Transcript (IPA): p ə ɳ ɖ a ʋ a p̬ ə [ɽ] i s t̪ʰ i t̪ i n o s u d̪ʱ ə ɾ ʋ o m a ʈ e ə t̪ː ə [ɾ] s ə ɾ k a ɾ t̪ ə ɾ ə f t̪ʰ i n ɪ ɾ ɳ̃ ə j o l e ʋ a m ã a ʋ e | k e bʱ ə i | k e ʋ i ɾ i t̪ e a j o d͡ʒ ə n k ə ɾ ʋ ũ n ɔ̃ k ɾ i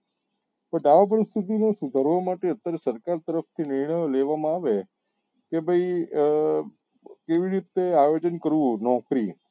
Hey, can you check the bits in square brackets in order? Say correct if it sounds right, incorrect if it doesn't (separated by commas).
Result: incorrect, correct